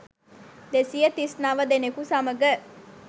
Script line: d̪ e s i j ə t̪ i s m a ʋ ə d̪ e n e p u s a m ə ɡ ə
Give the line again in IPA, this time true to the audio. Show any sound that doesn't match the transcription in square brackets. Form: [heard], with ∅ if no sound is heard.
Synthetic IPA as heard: d̪ e s i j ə t̪ i s [n] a ʋ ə d̪ e n e [k] u s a m ə ɡ ə